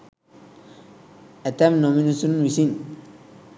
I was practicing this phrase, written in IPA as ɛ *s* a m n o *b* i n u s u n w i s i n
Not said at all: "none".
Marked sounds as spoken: t, m

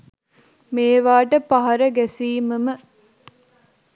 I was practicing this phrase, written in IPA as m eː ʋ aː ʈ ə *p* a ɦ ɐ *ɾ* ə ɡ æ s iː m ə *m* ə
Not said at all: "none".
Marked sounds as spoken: p, ɾ, m

